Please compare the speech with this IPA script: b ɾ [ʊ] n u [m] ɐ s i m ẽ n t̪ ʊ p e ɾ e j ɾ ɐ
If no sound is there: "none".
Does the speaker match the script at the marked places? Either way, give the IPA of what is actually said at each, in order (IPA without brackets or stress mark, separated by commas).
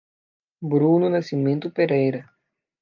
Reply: u, n